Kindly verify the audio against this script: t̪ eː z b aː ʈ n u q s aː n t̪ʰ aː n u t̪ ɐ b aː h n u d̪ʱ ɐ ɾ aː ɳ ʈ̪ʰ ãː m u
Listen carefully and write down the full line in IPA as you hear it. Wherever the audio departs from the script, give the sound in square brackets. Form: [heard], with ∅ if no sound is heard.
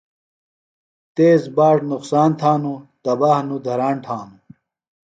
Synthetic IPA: t̪ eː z b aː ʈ n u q s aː n t̪ʰ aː n u t̪ ɐ b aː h n u d̪ʱ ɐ ɾ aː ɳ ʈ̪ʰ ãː [n] u